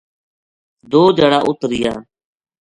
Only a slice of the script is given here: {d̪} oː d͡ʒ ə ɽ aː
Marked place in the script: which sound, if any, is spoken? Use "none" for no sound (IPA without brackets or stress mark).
d̪